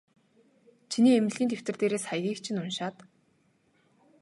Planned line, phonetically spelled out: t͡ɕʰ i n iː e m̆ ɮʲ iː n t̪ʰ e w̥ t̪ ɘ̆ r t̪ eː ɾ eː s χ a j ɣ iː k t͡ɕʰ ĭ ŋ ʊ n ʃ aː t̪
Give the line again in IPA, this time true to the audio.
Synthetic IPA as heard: t͡ɕʰ i n iː e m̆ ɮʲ iː n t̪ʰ e w̥ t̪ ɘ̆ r t̪ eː ɾ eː s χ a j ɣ iː k t͡ɕʰ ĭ n ʊ n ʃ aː t̪